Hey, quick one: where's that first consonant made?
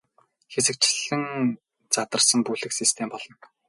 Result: velum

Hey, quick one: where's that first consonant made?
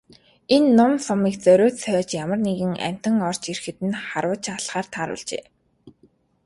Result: tongue tip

